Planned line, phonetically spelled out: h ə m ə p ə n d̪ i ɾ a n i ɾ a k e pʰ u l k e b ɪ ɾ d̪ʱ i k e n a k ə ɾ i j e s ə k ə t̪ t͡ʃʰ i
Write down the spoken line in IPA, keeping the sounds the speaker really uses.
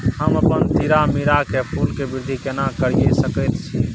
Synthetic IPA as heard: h ə m ə p ə n t̪ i ɾ a m i ɾ a k e pʰ u l k e b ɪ ɾ d̪ʱ i k e n a k ə ɾ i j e s ə k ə t̪ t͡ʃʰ i